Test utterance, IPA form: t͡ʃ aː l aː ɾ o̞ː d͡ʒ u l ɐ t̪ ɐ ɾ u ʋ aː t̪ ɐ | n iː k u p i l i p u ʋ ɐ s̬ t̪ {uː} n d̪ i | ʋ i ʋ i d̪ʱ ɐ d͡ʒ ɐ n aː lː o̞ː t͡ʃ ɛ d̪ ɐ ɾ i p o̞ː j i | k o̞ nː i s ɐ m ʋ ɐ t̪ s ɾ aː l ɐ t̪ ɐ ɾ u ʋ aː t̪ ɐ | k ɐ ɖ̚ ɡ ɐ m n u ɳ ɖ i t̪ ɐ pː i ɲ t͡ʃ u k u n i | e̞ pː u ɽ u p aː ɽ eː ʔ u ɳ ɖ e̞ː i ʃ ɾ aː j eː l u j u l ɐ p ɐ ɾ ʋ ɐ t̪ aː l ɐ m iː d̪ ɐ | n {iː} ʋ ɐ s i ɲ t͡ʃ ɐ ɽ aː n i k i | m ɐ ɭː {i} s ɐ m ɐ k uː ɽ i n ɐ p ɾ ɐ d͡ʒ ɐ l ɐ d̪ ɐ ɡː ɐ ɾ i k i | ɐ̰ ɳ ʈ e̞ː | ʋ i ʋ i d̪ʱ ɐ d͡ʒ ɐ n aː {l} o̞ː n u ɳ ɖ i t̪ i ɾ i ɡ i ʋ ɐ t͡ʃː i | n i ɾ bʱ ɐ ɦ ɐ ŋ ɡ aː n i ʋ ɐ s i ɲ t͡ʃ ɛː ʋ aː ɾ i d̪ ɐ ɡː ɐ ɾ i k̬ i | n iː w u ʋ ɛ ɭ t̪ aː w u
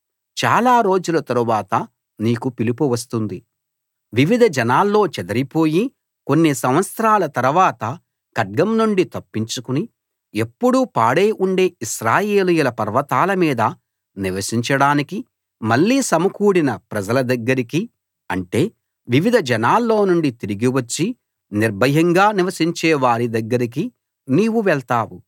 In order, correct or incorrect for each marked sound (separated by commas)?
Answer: incorrect, incorrect, incorrect, incorrect